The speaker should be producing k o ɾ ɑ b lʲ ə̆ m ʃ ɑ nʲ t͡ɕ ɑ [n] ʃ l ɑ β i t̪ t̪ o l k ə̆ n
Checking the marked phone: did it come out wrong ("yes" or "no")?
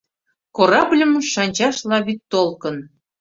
yes